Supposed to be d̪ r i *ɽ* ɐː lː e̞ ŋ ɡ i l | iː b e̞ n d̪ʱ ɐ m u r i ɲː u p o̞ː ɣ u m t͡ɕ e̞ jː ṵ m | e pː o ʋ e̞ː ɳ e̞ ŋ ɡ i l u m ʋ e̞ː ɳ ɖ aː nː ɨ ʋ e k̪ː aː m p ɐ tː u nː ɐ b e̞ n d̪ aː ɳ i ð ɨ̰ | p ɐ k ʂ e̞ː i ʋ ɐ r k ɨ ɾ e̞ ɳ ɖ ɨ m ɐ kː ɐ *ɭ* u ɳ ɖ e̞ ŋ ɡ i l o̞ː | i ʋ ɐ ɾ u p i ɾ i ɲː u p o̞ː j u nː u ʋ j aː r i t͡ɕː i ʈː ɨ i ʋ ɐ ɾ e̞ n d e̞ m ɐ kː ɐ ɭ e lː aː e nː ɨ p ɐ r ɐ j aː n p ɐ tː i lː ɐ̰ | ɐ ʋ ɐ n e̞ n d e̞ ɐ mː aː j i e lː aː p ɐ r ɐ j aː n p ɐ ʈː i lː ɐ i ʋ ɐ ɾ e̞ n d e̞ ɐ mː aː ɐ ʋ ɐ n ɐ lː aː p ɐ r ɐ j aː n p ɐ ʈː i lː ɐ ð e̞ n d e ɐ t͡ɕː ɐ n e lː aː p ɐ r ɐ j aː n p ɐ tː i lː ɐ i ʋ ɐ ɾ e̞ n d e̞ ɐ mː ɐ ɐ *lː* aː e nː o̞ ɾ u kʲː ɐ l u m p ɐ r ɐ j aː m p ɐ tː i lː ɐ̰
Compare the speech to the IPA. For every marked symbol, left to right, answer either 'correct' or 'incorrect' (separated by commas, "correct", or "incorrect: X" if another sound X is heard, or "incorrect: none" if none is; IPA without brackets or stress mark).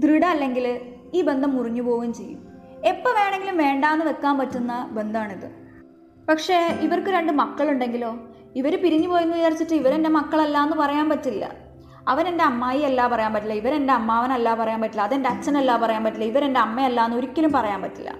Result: correct, correct, correct